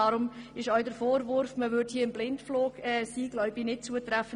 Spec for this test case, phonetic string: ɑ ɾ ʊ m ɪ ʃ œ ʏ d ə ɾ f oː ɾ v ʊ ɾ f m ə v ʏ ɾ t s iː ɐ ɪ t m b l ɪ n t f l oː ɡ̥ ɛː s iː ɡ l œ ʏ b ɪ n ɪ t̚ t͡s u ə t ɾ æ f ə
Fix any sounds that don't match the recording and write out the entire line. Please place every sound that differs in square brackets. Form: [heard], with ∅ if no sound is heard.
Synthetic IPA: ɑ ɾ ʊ m ɪ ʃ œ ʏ d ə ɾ f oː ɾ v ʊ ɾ f m ə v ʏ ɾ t [h] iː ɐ ɪ [∅] m b l ɪ n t f l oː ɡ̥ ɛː s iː ɡ l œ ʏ b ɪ n ɪ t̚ t͡s u ə t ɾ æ f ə